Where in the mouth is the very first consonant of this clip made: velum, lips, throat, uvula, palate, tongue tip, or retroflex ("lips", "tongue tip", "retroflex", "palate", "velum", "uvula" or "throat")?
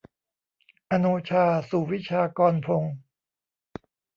throat